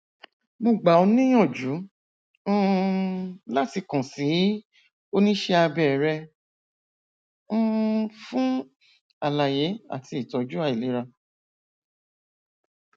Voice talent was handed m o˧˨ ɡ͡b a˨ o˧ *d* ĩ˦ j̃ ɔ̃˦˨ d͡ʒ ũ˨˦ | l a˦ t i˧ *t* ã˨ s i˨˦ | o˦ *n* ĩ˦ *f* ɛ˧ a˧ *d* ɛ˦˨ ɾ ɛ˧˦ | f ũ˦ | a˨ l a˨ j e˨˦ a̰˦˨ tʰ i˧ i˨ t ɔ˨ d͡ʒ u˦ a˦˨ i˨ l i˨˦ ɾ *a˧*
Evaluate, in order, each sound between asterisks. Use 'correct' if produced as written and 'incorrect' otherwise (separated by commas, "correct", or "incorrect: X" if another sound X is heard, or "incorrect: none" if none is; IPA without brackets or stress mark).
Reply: incorrect: n, incorrect: k, correct, incorrect: ʃ, incorrect: b, correct